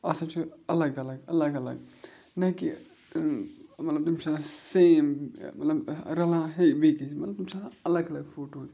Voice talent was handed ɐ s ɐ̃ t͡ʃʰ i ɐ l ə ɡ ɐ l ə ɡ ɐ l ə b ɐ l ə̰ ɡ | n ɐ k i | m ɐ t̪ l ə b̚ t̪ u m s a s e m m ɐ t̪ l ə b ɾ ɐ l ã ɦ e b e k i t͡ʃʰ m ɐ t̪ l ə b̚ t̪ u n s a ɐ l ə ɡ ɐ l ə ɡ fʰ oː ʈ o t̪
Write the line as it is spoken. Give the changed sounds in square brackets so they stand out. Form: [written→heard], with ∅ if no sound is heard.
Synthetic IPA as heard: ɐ s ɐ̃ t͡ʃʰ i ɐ l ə ɡ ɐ l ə ɡ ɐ l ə [b→ɡ] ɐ l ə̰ ɡ | n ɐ k i | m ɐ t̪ l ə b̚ t̪ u m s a s e m m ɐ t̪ l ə b ɾ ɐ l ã ɦ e b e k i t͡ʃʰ m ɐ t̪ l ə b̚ t̪ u [n→m] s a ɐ l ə ɡ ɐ l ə ɡ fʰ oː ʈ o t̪